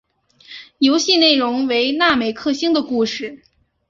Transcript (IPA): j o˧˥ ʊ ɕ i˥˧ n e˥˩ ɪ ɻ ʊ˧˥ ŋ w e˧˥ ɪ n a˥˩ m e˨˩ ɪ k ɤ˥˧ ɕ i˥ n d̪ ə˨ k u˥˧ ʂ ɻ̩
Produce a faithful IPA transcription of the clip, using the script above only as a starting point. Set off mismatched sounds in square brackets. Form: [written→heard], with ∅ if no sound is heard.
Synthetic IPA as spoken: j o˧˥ ʊ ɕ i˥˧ n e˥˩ ɪ ɻ ʊ˧˥ ŋ w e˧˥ ɪ n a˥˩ m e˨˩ ɪ [k→kʰ] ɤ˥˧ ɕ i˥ [n→ŋ] d̪ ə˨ k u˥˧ ʂ ɻ̩